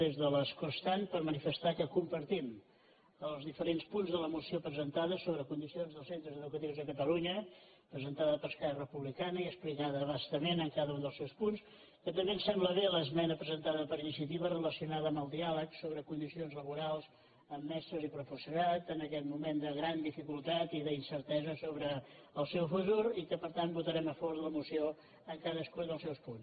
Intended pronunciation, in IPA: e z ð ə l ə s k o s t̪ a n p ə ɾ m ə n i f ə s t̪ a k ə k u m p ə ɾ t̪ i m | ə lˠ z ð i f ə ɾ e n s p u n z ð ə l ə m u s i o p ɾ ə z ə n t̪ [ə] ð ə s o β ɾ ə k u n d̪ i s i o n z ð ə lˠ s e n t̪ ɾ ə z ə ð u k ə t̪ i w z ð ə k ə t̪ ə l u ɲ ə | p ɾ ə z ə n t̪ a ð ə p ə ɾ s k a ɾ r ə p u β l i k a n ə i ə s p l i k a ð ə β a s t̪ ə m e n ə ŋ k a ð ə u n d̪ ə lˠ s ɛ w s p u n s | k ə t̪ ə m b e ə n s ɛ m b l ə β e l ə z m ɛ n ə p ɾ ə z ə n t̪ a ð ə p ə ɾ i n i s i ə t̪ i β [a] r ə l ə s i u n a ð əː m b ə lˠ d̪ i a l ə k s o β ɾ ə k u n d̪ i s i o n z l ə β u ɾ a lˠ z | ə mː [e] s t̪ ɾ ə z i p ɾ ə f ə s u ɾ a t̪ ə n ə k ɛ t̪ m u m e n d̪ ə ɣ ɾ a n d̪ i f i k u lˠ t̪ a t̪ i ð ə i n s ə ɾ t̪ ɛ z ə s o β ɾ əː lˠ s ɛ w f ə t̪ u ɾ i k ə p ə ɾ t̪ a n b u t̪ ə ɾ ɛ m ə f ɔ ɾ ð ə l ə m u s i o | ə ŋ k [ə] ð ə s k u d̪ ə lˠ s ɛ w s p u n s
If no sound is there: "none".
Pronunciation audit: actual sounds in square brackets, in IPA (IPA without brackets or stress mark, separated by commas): a, ə, ɛ, a